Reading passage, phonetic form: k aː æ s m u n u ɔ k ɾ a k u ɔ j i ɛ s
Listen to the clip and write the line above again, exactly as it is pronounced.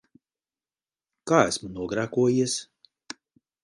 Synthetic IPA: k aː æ s m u n u ɔ ɡ ɾ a k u ɔ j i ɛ s